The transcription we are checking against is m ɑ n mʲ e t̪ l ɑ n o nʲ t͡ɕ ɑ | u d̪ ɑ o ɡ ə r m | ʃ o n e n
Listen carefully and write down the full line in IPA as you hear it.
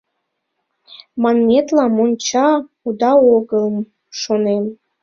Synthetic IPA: m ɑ n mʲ e t̪ l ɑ m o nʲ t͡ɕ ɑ | u d̪ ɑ o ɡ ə l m | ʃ o n e m